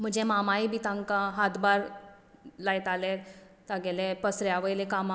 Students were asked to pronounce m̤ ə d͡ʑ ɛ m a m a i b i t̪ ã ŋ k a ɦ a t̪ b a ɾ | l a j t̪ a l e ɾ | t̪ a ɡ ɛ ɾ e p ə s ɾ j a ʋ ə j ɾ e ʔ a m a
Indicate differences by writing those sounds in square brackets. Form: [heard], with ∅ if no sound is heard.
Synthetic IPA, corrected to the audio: m̤ ə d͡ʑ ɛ m a m a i b i t̪ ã ŋ k a ɦ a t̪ b a ɾ | l a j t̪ a l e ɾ | t̪ a ɡ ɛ [l] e p ə s ɾ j a ʋ ə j [l] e [k] a m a